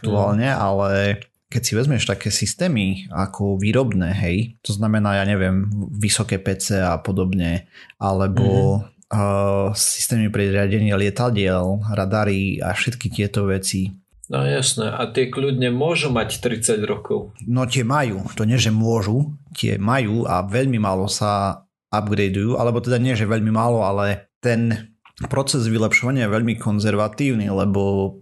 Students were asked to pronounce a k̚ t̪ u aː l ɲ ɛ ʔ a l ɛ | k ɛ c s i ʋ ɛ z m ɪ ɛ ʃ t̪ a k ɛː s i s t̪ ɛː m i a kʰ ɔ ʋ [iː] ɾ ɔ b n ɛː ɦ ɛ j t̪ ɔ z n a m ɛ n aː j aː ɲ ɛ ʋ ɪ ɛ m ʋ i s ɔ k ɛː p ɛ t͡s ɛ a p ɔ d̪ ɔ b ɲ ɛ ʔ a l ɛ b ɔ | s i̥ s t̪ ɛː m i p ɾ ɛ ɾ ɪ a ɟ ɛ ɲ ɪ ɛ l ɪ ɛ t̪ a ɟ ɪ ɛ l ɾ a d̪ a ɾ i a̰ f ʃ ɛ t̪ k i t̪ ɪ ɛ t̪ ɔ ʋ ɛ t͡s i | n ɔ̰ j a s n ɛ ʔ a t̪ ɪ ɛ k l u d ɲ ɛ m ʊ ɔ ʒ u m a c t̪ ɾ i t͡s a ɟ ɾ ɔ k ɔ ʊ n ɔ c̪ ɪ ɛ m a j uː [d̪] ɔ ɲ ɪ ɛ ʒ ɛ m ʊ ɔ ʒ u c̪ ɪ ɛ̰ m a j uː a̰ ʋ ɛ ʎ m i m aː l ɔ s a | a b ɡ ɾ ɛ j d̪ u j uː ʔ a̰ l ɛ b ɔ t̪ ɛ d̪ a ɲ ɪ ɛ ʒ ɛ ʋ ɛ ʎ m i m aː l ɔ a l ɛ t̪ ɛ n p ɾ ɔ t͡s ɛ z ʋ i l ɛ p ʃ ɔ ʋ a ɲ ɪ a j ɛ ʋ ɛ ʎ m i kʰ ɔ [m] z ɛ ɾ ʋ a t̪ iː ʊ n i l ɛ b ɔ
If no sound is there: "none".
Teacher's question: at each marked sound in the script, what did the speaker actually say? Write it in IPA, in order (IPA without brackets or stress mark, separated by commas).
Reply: iː, t̪, n